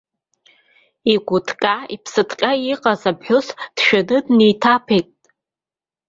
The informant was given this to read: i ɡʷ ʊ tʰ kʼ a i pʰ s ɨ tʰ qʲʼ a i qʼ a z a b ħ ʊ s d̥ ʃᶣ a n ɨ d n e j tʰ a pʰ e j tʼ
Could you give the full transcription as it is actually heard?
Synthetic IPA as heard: i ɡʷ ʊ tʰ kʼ a i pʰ s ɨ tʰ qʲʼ a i qʼ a z a b ħ ʊ s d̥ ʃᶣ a n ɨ d n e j tʰ a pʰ e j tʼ